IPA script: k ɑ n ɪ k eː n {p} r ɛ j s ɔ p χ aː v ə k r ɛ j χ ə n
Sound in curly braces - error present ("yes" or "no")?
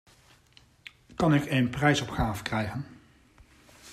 no